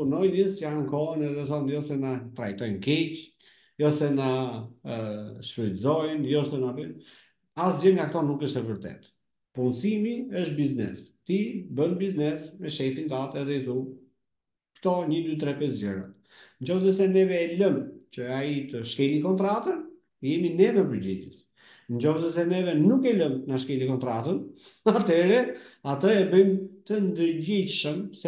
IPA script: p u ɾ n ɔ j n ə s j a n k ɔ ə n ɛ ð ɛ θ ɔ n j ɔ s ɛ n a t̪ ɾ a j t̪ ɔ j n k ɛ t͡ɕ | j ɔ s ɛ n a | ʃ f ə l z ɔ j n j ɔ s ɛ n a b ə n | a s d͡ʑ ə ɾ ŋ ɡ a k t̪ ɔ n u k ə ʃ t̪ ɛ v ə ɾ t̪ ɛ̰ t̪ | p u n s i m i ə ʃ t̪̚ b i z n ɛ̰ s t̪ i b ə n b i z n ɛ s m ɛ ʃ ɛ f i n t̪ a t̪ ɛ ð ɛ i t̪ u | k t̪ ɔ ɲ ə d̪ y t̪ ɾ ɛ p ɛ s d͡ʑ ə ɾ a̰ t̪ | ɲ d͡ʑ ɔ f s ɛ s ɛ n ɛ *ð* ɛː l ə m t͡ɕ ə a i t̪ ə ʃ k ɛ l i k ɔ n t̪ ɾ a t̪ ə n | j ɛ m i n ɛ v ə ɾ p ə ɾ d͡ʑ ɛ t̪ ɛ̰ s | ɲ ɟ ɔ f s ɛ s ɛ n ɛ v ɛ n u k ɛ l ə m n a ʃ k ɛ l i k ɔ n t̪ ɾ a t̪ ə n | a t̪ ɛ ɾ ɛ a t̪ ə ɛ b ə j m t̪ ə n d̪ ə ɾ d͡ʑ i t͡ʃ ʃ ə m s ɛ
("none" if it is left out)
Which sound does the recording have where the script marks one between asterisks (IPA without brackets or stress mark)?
v